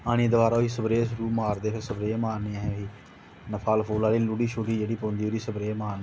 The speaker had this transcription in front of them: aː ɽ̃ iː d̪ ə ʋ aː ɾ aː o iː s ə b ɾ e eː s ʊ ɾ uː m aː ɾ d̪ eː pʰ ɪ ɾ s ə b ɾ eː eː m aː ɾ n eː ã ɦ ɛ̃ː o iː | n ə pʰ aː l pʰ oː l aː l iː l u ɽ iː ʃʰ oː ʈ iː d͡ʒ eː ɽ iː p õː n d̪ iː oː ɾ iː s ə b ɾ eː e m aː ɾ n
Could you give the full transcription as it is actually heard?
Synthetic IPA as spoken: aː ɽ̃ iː d̪ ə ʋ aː ɾ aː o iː s ə b ɾ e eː s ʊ ɾ uː m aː ɾ d̪ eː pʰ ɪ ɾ s ə b ɾ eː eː m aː ɾ n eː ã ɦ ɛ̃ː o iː | n ə pʰ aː l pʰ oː l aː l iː l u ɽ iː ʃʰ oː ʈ iː d͡ʒ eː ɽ iː p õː n d̪ iː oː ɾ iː s ə b ɾ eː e m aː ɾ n